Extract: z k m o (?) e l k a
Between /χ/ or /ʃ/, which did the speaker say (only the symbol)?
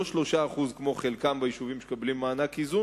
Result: χ